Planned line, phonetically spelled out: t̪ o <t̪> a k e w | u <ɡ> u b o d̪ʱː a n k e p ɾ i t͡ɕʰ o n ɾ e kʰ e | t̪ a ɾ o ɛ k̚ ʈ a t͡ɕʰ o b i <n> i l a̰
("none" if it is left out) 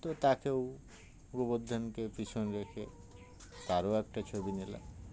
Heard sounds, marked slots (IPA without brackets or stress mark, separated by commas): t̪, ɡ, n